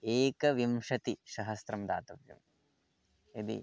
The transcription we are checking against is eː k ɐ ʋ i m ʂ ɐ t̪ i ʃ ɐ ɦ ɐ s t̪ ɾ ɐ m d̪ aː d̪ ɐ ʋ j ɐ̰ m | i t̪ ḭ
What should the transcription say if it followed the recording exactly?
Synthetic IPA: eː k ɐ ʋ i m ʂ ɐ t̪ i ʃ ɐ ɦ ɐ s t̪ ɾ ɐ m d̪ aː t̪ ɐ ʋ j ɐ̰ m | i d̪ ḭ